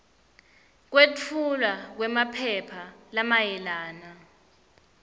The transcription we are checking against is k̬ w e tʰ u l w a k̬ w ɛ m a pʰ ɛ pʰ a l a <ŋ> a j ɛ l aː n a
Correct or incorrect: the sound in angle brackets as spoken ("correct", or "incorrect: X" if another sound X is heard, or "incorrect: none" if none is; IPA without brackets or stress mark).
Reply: incorrect: m